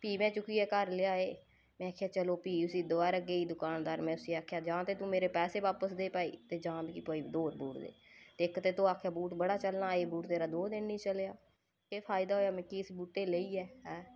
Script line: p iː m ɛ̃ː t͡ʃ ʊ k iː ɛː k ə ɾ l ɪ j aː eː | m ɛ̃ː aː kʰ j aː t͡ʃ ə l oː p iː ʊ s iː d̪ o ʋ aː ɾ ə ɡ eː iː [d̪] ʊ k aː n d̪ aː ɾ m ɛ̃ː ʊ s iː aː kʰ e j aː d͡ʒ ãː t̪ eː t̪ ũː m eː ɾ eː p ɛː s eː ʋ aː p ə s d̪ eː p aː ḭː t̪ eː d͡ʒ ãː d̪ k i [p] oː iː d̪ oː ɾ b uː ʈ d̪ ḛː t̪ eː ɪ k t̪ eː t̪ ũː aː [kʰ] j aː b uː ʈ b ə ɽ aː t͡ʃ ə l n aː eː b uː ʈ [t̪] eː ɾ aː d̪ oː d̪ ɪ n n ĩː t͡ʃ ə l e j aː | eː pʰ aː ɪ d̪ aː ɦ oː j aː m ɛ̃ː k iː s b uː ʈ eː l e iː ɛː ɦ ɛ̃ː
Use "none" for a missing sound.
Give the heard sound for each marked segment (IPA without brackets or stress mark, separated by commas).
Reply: d̪, p, kʰ, t̪